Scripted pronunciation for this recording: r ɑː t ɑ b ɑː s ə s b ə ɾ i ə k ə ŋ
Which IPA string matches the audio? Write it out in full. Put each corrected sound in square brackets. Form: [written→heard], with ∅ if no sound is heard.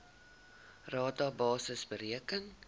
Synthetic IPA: r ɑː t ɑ b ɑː s ə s b ə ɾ i ə k ə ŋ

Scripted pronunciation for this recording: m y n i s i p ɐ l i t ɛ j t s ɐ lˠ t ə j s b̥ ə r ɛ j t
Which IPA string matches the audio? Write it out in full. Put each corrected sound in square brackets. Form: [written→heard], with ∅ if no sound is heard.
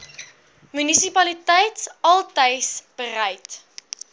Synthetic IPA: m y n i s i p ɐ l i t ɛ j t s ɐ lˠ t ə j s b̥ ə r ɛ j t

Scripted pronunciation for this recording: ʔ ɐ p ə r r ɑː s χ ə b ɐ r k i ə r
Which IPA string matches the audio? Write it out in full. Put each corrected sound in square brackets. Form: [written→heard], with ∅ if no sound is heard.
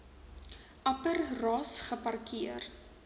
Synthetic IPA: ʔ ɐ p ə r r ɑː s χ ə [b→p] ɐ r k i ə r

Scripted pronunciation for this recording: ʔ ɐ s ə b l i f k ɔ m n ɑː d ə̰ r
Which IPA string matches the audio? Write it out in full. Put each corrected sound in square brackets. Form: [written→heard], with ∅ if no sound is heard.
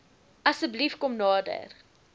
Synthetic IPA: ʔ ɐ s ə b l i f k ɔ m n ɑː d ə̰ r

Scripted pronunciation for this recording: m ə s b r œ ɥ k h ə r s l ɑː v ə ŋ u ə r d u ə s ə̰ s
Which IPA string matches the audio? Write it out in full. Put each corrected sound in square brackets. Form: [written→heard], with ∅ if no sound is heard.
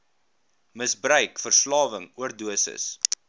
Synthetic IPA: m ə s b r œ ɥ k [h→f] ə r s l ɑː v ə ŋ u ə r d u ə s ə̰ s

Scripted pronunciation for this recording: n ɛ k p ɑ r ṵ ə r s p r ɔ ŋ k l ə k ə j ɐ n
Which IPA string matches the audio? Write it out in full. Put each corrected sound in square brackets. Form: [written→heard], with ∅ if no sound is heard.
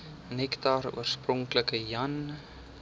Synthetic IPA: n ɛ k [p→t] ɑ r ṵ ə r s p r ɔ ŋ k l ə k ə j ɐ n

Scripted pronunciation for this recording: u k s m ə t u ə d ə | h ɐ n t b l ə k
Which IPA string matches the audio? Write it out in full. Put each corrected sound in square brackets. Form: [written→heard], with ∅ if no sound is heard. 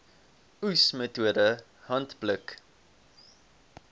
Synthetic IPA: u [k→∅] s m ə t u ə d ə | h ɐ n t b l ə k

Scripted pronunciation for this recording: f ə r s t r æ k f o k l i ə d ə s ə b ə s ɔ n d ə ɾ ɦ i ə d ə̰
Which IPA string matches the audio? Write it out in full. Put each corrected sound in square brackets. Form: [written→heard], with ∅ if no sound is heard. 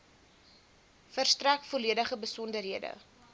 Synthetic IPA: f ə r s t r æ k f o [k→∅] l i ə d ə [s→χ] ə b ə s ɔ n d ə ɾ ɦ i ə d ə̰

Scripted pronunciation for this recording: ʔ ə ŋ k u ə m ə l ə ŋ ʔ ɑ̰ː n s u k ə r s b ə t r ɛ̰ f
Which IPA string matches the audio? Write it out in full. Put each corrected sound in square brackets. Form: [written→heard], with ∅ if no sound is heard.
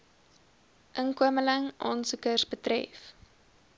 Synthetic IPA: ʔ ə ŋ k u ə m ə l ə ŋ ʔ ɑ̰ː n s u k ə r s b ə t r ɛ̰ f

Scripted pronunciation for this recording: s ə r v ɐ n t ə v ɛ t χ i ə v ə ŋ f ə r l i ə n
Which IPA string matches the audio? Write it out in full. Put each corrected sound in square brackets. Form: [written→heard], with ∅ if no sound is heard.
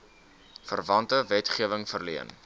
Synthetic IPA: [s→f] ə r v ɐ n t ə v ɛ t χ i ə v ə ŋ f ə r l i ə n

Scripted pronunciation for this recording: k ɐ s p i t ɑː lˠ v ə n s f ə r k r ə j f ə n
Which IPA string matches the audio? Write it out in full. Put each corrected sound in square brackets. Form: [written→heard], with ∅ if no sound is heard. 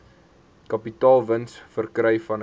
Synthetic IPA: k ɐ [s→∅] p i t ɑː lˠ v ə n s f ə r k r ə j f [ə→ɐ] n

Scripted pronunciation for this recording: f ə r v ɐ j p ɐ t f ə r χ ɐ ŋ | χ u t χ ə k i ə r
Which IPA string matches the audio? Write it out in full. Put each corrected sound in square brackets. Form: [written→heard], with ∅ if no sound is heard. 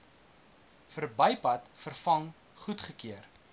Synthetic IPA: f ə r [v→b] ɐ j p ɐ t f ə r [χ→f] ɐ ŋ | χ u t χ ə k i ə r

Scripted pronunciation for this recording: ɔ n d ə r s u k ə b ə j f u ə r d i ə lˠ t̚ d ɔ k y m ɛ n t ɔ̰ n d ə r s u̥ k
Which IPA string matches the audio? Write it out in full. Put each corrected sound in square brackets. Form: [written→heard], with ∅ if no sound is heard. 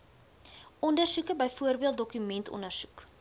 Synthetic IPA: ɔ n d ə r s u k ə b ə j f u ə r [d→b] i ə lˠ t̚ d ɔ k y m ɛ n t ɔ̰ n d ə r s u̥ k

